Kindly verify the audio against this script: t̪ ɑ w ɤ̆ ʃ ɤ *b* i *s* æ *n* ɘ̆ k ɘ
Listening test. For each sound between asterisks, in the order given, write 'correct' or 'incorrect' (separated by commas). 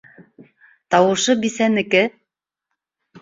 correct, correct, correct